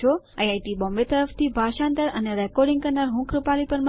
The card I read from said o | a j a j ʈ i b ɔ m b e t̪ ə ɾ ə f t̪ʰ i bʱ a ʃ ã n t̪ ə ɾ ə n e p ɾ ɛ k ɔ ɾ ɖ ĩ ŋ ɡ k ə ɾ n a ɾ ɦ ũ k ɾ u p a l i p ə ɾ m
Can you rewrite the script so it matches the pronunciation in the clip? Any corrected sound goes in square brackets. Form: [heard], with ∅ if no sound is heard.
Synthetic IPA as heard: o | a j a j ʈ i b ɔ m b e t̪ ə ɾ ə f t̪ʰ i bʱ a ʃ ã n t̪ ə ɾ ə n e [∅] ɾ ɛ k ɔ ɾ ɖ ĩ ŋ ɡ k ə ɾ n a ɾ ɦ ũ k ɾ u p a l i p ə ɾ m